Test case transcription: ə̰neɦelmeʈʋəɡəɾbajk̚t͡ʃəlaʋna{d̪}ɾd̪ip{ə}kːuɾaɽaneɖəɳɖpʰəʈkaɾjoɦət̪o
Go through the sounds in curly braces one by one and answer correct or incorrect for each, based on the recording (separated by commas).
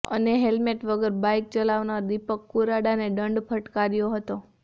incorrect, correct